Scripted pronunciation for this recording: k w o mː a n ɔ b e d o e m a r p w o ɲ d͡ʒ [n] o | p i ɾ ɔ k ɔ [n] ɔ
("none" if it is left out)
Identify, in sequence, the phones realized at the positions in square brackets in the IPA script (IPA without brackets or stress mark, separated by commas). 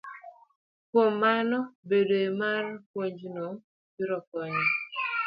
n, ɲ